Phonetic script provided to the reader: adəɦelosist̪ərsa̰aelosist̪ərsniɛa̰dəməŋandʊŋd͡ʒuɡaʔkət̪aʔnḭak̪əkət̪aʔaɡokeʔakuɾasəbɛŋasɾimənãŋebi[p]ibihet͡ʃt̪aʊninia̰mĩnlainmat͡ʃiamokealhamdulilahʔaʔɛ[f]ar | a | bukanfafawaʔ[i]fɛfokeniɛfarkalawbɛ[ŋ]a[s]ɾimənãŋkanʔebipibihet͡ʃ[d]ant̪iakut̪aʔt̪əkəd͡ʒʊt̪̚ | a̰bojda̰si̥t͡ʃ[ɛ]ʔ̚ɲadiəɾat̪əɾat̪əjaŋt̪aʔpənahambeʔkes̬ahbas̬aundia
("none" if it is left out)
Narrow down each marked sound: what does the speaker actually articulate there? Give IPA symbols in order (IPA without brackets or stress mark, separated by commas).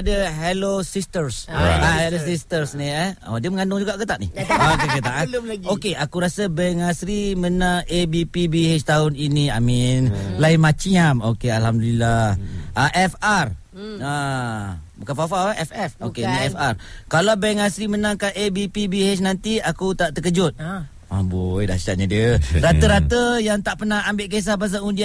p, f, ɛ, ŋ, s, n, a